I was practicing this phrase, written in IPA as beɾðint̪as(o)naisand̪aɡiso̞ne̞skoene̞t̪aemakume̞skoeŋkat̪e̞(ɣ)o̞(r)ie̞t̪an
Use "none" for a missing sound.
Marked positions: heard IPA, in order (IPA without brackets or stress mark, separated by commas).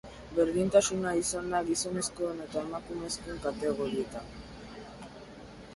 u, ɣ, ɾ